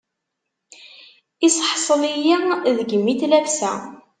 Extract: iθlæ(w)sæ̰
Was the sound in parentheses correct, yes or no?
no